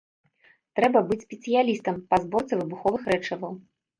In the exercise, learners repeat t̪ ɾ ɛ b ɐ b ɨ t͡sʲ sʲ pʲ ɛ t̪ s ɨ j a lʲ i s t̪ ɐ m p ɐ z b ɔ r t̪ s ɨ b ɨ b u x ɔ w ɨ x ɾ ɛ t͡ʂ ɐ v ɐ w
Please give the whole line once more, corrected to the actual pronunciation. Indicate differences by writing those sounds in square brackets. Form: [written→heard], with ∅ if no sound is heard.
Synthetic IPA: t̪ ɾ ɛ b ɐ b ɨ t͡sʲ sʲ pʲ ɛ t̪ s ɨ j a lʲ i s t̪ ɐ m p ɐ z b ɔ r t̪ s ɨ [b→v] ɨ b u x ɔ [w→v] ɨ x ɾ ɛ t͡ʂ ɐ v ɐ w